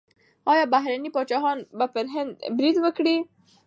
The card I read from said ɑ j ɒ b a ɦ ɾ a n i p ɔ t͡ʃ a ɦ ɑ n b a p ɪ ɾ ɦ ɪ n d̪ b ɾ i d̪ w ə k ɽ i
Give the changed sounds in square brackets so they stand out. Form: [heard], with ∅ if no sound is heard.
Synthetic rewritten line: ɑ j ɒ b a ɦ ɾ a n i p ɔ t͡ʃ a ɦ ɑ n b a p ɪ ɾ ɦ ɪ n d̪ b ɾ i d̪ w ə k ɽ i